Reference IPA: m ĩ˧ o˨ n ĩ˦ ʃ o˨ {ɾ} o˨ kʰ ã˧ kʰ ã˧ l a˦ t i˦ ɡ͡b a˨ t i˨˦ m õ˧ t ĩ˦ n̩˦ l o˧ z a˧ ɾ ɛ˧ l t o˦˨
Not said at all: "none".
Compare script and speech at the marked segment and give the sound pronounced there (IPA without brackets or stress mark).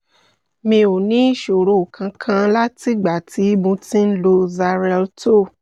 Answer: ɾ